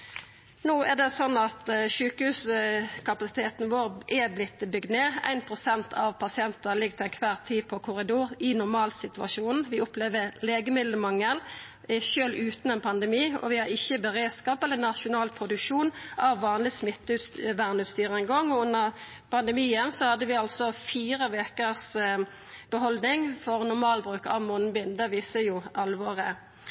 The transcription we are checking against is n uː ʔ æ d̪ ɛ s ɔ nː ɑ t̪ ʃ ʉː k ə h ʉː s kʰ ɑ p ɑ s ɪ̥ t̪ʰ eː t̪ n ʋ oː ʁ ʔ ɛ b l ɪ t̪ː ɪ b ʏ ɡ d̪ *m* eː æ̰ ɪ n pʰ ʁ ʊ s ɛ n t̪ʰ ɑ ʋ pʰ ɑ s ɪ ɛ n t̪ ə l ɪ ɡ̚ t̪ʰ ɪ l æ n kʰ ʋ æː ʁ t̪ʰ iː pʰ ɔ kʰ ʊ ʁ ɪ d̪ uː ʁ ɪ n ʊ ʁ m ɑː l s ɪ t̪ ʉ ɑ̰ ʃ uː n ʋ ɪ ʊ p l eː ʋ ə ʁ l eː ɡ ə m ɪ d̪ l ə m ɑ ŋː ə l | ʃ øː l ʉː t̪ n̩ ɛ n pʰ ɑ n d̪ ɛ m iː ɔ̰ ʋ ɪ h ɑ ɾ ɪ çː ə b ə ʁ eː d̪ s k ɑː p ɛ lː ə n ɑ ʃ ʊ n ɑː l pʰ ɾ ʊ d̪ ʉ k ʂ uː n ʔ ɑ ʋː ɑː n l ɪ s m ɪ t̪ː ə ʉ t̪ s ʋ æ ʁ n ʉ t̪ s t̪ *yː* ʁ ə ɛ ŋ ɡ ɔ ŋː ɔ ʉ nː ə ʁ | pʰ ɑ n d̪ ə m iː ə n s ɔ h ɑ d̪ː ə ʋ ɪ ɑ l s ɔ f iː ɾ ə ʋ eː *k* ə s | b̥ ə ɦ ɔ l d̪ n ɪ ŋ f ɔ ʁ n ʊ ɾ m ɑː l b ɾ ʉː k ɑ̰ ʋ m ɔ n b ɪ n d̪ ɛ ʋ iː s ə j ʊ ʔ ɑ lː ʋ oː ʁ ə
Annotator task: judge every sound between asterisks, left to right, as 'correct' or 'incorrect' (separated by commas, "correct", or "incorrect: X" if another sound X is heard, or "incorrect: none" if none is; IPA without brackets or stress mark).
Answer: incorrect: n, correct, correct